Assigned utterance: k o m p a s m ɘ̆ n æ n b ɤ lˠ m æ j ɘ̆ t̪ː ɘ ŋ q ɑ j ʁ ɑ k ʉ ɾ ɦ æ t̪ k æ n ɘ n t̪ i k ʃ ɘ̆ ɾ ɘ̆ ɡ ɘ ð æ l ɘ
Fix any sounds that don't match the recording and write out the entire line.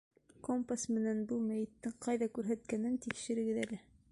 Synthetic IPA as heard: k o m p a s m ɘ̆ n æ n b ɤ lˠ m æ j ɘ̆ t̪ː ɘ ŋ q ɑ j ð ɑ k ʉ ɾ ɦ æ t̪ k æ n ɘ n t̪ i k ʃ ɘ̆ ɾ ɘ̆ ɡ ɘ ð æ l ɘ